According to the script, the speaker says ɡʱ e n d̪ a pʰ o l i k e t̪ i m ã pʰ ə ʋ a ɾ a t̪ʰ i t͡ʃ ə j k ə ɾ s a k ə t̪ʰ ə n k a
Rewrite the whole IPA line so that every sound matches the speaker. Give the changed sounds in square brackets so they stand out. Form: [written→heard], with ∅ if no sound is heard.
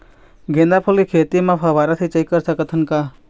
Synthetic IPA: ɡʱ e n d̪ a pʰ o l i [k→kʰ] e t̪ i m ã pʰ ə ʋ a ɾ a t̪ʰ i t͡ʃ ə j k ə ɾ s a k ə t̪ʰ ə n k a